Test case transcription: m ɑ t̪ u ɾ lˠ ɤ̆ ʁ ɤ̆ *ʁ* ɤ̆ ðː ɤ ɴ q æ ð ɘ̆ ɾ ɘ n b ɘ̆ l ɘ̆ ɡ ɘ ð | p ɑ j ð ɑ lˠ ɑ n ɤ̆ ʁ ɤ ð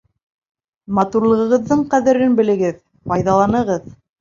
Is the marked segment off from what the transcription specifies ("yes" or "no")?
no